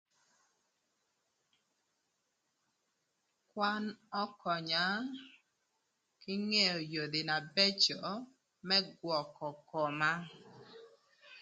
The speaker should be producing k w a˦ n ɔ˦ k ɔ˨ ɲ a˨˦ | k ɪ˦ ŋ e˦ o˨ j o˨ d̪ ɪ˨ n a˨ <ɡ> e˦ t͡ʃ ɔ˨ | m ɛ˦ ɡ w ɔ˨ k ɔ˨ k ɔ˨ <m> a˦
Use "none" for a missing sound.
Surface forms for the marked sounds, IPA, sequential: b, m

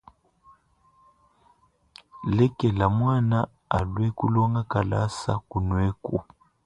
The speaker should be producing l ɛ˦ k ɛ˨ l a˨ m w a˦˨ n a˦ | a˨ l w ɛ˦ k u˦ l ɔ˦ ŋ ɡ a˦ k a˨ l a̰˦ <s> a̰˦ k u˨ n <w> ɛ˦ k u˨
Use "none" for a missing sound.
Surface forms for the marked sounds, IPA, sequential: s, w

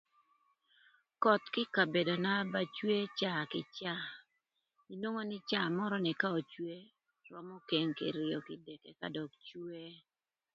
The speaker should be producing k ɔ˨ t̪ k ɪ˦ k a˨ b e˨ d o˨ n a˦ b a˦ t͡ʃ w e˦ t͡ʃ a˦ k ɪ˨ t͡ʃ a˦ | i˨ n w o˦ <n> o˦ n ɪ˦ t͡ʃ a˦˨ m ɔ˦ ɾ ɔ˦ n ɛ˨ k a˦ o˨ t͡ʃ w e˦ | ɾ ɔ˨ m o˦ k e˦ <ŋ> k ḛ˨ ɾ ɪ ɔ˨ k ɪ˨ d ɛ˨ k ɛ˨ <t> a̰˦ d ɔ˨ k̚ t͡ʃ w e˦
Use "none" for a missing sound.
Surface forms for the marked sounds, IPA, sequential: ŋ, ŋ, k

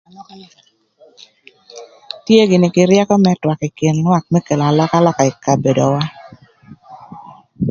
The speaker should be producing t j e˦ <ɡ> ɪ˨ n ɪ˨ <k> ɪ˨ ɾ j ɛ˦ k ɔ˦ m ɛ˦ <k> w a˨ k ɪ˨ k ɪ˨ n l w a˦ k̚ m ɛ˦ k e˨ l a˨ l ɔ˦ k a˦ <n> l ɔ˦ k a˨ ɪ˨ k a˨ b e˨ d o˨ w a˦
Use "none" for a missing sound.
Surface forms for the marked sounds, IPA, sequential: ɡ, k, t, none

